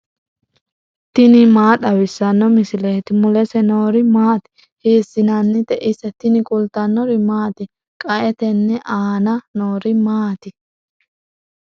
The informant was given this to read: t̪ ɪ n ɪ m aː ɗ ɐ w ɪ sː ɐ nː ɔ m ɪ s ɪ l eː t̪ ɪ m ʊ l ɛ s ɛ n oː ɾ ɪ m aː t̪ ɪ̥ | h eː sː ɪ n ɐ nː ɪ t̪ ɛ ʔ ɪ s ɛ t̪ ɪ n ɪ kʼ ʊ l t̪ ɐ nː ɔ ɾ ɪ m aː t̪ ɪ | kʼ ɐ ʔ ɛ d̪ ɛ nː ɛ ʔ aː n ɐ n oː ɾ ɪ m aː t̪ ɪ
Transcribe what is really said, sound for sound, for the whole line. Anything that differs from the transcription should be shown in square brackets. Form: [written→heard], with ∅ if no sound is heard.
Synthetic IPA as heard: t̪ ɪ n ɪ m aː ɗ ɐ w ɪ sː ɐ nː ɔ m ɪ s ɪ l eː t̪ ɪ m ʊ l ɛ s ɛ n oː ɾ ɪ m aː t̪ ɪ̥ | h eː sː ɪ n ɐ nː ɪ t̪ ɛ ʔ ɪ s ɛ t̪ ɪ n ɪ kʼ ʊ l t̪ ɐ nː ɔ ɾ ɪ m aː t̪ ɪ | kʼ ɐ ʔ ɛ [d̪→t̪] ɛ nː ɛ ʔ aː n ɐ n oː ɾ ɪ m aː t̪ ɪ